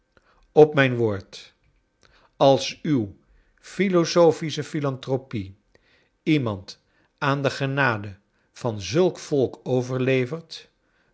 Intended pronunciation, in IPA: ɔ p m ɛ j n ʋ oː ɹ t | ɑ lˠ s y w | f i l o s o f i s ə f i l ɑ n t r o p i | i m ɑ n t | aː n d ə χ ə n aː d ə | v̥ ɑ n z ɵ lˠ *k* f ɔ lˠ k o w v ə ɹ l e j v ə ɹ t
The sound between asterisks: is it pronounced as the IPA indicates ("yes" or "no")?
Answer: yes